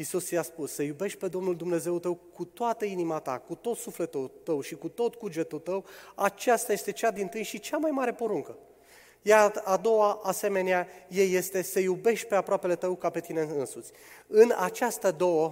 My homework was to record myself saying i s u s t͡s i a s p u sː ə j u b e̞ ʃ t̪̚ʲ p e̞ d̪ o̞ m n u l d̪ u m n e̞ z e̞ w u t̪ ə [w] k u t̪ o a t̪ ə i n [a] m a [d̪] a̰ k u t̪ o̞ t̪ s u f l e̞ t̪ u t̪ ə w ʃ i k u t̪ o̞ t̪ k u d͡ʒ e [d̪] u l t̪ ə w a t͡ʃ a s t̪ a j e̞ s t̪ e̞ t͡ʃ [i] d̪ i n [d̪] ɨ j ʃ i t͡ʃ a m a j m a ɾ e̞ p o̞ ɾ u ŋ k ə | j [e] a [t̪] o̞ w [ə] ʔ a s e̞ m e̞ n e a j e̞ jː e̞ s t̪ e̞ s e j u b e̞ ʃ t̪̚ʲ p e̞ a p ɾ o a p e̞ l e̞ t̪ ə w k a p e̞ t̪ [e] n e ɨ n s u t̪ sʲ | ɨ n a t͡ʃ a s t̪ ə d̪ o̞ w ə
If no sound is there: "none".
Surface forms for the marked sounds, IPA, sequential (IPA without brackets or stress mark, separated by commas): w, i, t̪, t̪, a, t̪, a, d̪, a, i